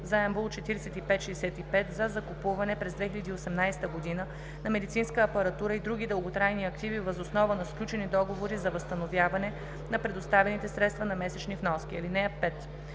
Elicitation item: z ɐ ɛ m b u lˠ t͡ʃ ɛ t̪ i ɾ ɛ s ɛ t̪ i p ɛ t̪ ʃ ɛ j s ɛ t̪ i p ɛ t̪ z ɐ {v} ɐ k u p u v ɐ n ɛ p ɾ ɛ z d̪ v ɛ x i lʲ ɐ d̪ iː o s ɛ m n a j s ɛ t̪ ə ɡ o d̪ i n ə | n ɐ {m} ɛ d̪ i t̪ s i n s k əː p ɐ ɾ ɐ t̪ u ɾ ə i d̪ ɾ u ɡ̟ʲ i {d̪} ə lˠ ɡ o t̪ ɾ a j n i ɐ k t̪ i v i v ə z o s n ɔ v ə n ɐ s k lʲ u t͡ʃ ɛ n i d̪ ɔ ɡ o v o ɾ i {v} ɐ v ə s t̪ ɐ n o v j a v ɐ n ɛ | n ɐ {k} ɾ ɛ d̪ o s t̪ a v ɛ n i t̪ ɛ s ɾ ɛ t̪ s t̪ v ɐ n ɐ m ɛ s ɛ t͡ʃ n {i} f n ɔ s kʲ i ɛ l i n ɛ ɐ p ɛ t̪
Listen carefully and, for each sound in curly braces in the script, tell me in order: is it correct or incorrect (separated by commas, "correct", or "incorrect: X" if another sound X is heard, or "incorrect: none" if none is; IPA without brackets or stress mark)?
incorrect: z, correct, correct, incorrect: z, incorrect: p, correct